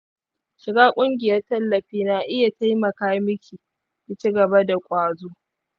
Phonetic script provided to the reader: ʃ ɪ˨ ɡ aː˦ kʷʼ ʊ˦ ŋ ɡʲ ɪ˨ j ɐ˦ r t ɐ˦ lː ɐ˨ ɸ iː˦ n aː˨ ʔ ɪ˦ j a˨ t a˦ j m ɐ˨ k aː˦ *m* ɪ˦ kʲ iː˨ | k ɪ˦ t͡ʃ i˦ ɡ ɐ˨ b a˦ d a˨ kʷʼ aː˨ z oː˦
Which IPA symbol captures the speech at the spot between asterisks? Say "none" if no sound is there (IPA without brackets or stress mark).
m